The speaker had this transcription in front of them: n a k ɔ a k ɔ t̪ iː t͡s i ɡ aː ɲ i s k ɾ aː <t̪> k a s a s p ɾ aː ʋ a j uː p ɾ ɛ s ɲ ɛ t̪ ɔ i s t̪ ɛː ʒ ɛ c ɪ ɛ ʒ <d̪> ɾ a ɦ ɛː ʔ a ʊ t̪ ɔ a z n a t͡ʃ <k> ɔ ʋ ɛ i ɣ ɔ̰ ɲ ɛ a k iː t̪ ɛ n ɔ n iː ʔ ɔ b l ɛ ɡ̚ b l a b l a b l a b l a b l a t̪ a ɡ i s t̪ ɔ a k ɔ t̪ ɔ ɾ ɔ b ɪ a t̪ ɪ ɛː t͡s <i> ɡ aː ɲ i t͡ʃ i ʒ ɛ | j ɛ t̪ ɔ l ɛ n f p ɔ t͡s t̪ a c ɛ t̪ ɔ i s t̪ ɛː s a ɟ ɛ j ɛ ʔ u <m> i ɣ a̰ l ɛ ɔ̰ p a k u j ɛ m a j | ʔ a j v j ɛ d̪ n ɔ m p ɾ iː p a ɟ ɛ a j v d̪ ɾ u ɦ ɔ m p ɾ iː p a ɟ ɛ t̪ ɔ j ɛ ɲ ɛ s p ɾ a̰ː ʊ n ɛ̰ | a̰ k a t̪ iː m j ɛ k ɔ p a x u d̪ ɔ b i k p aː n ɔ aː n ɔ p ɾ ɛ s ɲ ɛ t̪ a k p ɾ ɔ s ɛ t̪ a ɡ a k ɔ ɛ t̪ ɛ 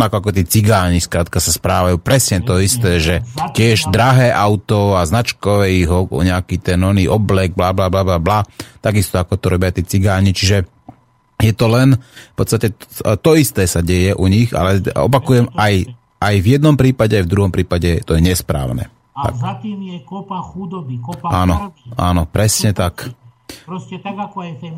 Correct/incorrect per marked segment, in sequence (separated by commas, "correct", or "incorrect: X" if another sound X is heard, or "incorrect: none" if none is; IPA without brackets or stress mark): correct, correct, correct, correct, incorrect: ɲ